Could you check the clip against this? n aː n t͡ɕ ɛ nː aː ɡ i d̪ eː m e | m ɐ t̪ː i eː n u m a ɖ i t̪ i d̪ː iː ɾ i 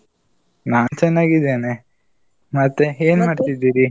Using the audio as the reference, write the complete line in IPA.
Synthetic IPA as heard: n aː n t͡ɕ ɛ nː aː ɡ i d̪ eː n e | m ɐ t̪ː e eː n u m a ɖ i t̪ i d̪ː iː ɾ i